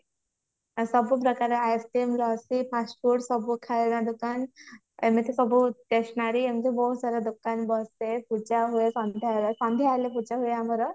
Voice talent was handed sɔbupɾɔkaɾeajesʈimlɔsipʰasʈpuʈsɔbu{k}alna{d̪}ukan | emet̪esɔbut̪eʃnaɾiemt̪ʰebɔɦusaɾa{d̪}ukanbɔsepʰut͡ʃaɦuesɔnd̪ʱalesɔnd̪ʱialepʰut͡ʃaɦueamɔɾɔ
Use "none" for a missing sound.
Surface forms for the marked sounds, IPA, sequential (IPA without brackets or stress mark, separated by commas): kʰ, d̪, d̪